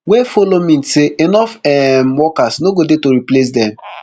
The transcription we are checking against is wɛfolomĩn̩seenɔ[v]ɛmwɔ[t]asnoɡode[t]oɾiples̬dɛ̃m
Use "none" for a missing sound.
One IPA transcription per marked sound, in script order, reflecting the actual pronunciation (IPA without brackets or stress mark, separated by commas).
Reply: f, k, t